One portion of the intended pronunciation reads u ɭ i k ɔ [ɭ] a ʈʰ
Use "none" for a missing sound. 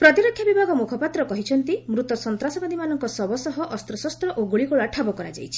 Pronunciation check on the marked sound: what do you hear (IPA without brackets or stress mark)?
ɭ